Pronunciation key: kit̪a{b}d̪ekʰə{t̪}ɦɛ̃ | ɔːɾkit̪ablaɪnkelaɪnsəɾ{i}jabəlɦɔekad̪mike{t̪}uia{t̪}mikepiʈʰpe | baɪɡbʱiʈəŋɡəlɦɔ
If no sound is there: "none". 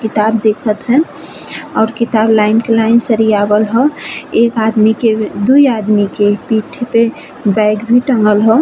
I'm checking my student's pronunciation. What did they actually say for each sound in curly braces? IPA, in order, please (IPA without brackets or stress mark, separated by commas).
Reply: b, t̪, i, d̪, d̪